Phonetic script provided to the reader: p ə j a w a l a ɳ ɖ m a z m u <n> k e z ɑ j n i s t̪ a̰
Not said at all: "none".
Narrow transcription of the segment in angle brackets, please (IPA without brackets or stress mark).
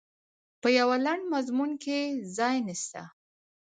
n